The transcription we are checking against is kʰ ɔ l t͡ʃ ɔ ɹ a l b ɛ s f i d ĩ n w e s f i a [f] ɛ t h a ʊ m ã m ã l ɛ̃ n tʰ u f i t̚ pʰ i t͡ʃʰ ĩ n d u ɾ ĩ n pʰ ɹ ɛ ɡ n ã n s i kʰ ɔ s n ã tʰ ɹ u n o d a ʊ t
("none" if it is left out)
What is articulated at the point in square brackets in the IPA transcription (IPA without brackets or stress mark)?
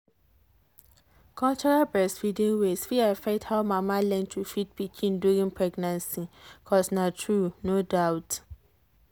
f